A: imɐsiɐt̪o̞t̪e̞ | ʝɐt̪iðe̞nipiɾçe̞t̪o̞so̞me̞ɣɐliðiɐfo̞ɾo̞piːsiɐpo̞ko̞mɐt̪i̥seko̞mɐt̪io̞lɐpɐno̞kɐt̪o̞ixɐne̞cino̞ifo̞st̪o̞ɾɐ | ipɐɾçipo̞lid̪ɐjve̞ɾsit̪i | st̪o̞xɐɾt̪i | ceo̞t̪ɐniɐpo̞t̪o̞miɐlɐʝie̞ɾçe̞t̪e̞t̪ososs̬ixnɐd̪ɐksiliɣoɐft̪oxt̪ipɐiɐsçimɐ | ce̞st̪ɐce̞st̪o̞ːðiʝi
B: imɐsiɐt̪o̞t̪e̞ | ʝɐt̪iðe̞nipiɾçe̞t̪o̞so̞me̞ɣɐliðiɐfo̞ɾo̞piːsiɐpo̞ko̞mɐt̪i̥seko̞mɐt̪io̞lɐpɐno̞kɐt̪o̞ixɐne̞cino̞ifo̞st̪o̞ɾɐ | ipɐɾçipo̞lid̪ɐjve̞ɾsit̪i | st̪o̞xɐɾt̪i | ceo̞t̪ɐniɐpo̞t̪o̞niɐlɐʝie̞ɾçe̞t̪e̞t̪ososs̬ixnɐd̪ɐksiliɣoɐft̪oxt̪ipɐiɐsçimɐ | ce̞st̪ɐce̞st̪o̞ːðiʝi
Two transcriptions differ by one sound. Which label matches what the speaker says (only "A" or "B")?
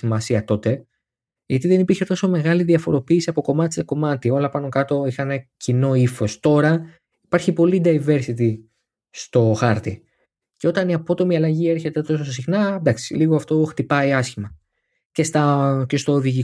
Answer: A